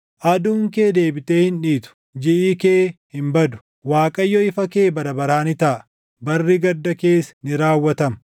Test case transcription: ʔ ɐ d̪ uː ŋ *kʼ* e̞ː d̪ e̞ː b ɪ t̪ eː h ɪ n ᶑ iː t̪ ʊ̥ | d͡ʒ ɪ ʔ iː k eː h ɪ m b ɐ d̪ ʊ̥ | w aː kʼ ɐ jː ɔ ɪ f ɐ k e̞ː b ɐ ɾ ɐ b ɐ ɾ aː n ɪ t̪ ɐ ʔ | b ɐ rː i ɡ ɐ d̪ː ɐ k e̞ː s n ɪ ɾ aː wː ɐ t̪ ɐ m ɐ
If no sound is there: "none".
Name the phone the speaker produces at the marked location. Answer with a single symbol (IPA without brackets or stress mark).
k